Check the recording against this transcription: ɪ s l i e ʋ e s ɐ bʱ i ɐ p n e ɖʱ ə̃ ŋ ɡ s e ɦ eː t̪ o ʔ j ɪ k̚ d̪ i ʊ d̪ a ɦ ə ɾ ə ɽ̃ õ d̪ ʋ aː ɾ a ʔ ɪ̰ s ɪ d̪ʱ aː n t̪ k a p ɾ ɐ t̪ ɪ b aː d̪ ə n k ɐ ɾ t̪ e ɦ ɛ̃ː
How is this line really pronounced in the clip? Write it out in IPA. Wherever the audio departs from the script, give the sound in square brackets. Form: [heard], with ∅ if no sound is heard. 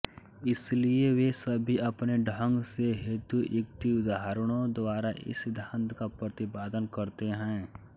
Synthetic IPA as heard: ɪ s l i e ʋ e s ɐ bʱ i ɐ p n e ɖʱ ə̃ ŋ ɡ s e ɦ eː t̪ [u] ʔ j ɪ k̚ [t̪] i ʊ d̪ a ɦ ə ɾ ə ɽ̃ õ d̪ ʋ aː ɾ a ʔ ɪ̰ s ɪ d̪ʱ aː n t̪ k a p ɾ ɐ t̪ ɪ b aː d̪ ə n k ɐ ɾ t̪ e ɦ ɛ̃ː